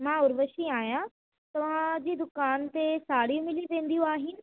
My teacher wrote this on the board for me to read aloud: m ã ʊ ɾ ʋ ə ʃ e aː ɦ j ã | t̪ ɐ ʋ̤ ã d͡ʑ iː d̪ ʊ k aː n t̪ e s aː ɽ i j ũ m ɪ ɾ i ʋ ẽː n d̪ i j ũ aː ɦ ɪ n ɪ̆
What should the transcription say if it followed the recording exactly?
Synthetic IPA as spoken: m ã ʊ ɾ ʋ ə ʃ i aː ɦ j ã | t̪ ɐ ʋ̤ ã d͡ʑ iː d̪ ʊ k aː n t̪ e s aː ɽ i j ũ m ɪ l i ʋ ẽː n d̪ i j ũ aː ɦ ɪ n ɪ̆